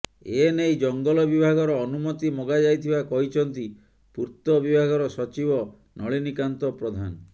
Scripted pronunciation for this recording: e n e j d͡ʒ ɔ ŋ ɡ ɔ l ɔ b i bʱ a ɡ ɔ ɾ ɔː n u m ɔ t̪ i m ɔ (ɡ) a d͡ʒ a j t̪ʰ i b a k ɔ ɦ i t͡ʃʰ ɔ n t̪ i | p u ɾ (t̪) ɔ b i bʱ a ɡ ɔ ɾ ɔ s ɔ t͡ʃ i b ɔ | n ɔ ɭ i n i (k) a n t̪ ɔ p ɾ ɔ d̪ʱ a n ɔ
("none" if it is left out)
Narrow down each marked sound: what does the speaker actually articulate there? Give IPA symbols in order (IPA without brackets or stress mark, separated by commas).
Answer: ɡ, t̪, k